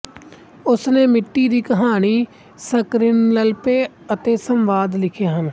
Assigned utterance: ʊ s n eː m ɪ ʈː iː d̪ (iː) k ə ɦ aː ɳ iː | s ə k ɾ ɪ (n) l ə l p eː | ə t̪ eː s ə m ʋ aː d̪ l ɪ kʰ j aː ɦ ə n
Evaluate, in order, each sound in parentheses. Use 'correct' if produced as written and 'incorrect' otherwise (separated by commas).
correct, correct